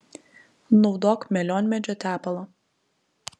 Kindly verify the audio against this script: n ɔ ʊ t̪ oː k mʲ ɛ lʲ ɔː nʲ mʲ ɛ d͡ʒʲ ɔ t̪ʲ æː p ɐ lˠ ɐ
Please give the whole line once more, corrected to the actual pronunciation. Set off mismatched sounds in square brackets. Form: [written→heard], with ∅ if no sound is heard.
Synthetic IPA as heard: n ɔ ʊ [t̪→d̪] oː k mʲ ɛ lʲ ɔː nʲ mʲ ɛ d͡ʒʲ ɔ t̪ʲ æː p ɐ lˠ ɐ